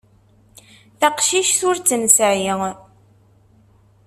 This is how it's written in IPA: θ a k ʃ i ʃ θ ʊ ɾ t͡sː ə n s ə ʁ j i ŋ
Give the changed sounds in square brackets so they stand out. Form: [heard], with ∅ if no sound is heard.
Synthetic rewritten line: θ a [q] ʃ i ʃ θ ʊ ɾ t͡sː ə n s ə [ʕ] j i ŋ

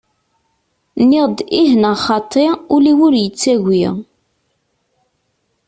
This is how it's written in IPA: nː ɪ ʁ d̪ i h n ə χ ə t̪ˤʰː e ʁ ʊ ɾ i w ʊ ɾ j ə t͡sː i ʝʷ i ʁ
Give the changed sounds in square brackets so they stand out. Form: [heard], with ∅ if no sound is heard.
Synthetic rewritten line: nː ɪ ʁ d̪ i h n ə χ [ɑ] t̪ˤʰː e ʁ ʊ [l] i w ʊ ɾ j ə t͡sː [æ] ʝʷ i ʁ

